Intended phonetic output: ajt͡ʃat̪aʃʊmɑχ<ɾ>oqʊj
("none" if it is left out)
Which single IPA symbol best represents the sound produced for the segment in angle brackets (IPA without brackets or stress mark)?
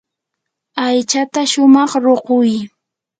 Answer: ɾ